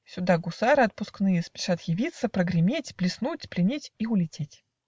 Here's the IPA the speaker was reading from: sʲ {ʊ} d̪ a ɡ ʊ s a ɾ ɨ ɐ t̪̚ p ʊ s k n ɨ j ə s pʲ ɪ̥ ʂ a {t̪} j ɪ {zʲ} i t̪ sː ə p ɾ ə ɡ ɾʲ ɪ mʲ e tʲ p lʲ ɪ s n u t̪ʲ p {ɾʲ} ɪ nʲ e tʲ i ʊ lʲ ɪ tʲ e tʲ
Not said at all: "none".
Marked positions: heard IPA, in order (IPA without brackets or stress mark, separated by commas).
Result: ʊ, t̪, vʲ, lʲ